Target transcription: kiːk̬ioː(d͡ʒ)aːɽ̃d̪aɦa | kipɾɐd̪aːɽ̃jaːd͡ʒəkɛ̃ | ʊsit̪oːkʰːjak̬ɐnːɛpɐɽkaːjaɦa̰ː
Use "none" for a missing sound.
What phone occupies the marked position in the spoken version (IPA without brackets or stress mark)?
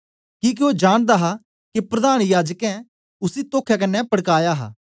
d͡ʒ